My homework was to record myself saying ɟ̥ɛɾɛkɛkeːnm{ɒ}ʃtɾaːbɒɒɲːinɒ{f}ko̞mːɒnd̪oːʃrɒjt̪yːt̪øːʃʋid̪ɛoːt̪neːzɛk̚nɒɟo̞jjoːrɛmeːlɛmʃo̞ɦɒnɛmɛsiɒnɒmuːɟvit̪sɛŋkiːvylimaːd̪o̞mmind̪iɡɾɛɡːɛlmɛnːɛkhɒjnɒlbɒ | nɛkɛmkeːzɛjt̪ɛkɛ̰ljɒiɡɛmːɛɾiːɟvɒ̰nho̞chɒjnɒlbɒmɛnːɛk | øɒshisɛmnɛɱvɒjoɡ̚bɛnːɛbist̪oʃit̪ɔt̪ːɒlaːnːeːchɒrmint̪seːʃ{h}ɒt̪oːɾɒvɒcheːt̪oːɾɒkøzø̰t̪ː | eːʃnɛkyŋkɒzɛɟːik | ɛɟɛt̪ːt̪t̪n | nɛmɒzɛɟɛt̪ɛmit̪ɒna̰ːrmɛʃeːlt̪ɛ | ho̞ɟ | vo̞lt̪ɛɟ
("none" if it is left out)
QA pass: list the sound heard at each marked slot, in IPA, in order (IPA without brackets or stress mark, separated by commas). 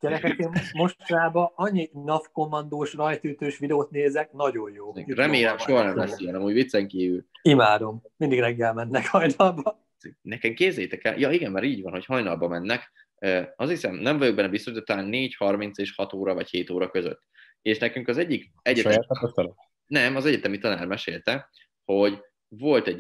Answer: o, f, h